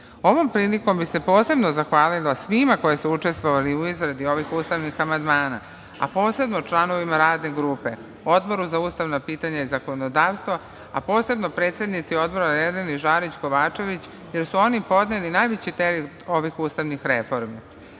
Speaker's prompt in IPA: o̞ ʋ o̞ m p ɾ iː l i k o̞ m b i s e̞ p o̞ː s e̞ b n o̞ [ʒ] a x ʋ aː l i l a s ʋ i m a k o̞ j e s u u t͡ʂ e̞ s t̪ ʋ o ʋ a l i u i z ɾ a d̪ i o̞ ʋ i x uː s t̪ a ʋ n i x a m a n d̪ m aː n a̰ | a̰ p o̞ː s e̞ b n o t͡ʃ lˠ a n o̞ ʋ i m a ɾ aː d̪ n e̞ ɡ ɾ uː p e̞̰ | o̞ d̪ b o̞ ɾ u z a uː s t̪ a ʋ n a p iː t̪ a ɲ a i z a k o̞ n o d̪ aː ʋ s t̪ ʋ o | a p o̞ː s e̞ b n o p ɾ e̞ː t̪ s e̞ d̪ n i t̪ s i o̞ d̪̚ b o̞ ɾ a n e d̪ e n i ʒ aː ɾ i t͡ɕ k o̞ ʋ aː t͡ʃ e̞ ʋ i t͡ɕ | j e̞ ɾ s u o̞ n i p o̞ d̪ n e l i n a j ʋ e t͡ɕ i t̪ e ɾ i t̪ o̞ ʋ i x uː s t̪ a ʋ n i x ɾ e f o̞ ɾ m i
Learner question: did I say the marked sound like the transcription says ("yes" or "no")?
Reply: no